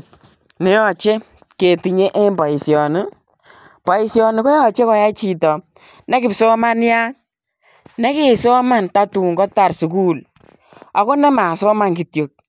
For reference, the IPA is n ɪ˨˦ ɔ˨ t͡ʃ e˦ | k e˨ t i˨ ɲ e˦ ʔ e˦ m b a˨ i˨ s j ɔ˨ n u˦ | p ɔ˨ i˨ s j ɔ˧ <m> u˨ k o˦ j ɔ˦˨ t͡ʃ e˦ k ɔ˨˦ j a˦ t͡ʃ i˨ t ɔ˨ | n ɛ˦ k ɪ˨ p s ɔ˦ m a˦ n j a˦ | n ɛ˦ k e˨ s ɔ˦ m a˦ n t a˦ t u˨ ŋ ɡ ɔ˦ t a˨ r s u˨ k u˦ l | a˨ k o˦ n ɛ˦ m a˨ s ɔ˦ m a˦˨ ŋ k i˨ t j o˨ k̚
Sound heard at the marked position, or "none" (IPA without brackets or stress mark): n